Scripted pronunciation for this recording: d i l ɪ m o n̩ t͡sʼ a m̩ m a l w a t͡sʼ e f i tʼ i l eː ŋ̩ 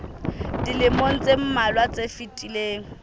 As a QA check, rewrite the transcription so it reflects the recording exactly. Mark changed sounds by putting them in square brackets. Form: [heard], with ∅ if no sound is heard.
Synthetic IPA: d i l ɪ m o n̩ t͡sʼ [e] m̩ m a l w a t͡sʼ e f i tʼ i l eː ŋ̩